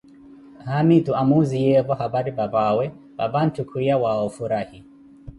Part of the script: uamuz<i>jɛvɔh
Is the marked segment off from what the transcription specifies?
no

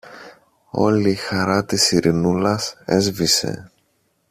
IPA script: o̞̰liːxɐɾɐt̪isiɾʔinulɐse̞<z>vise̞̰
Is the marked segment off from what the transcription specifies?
no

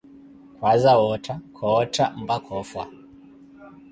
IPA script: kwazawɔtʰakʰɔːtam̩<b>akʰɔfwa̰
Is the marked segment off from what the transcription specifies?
no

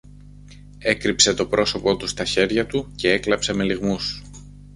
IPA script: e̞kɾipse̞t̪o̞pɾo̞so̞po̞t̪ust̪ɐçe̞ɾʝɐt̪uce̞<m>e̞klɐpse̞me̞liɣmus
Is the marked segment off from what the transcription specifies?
yes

